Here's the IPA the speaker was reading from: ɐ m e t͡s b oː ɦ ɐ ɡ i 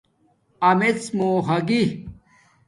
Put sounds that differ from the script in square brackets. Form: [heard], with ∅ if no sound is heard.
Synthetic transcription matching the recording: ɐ m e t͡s [m] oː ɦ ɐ ɡ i